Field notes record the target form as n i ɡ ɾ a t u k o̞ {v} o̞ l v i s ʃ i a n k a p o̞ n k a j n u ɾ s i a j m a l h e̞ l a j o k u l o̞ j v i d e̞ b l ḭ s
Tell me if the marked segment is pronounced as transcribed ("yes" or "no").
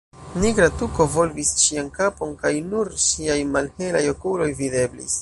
yes